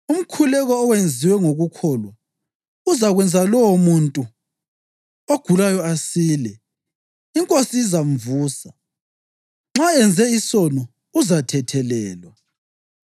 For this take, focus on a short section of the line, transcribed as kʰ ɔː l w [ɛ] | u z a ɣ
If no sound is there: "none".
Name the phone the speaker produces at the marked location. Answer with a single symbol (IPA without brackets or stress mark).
a